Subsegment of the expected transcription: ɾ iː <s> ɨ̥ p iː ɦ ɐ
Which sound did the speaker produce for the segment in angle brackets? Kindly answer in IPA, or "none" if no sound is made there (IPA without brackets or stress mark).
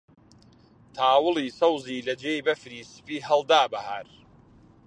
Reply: s